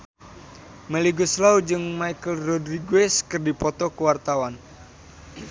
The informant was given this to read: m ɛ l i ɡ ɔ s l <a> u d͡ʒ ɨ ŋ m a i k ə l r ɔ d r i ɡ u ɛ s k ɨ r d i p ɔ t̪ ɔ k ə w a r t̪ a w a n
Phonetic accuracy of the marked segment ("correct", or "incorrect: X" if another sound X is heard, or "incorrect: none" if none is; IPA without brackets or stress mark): correct